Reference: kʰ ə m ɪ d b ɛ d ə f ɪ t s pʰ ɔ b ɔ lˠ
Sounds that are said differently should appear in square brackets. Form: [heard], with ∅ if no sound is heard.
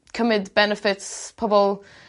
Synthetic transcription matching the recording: kʰ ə m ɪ d b ɛ [n] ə f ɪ t s pʰ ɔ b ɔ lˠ